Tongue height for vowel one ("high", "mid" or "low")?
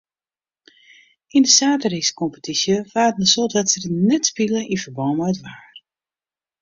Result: high